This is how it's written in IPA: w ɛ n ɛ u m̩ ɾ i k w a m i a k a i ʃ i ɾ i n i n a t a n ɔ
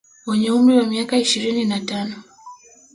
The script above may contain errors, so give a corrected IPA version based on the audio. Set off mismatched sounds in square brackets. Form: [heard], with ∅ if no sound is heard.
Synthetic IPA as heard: w ɛ [ɲ] ɛ u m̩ ɾ i [∅] w a m i a k a i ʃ i ɾ i n i n a t a n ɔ

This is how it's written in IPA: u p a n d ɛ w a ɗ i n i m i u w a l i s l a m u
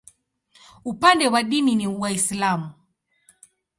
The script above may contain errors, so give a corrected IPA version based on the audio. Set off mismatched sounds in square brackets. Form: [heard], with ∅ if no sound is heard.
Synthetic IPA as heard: u p a n d ɛ w a ɗ i n i [n] i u w a [∅] i s l a m u

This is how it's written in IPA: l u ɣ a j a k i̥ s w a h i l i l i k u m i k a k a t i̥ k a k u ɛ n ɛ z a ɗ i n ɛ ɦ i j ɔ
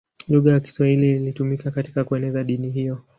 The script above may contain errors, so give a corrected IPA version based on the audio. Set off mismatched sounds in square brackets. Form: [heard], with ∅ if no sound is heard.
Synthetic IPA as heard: l u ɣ a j a k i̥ s w a h i l i l i [t] u m i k a k a t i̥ k a k u ɛ n ɛ z a ɗ i n [i] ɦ i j ɔ

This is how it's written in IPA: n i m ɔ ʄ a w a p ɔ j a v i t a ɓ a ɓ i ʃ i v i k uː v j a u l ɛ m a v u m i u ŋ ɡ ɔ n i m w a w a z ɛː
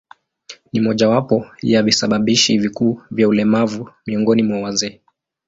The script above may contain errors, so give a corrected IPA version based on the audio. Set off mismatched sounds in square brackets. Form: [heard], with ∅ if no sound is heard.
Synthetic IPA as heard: n i m ɔ ʄ a w a p ɔ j a v i [s] a ɓ a ɓ i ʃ i v i k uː v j a u l ɛ m a v u m i [ɔ] ŋ ɡ ɔ n i m w a w a z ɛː

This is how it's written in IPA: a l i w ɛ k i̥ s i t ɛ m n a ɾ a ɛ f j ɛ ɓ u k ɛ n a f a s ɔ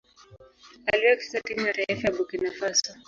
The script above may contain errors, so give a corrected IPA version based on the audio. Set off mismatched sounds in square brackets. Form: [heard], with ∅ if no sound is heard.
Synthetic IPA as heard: a l i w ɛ k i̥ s [a] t [i] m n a ɾ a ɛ f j [a] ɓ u k [i] n a f a s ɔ

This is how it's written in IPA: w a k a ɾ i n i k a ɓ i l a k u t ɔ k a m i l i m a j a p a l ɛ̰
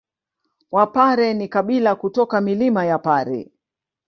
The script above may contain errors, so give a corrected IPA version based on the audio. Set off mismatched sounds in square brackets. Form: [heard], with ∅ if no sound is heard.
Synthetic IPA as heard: w a [p] a ɾ [ɛ] n i k a ɓ i l a k u t ɔ k a m i l i m a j a p a [ɾ] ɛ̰

